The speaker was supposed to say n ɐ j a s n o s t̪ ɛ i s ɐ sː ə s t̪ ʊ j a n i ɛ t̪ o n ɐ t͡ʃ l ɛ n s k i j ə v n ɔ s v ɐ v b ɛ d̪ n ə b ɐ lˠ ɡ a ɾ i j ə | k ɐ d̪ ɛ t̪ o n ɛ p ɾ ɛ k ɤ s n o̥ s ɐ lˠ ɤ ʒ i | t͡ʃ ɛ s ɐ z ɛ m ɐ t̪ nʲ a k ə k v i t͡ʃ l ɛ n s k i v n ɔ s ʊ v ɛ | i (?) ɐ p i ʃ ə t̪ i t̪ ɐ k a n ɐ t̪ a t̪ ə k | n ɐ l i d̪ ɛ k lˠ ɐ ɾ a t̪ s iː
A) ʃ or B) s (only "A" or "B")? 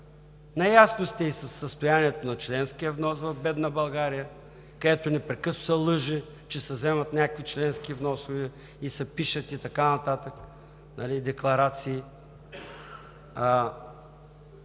B